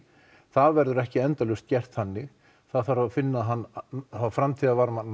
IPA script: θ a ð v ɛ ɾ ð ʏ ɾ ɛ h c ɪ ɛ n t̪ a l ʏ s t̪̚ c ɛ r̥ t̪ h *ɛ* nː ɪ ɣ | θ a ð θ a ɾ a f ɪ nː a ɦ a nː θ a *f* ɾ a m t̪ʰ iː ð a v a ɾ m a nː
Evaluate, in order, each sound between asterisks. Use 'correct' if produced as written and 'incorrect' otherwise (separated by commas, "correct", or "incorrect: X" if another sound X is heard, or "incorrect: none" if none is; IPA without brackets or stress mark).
incorrect: a, correct